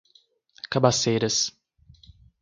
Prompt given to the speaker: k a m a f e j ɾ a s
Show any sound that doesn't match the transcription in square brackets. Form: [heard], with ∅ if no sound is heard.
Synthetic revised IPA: k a [b] a [s] e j ɾ [ɐ] s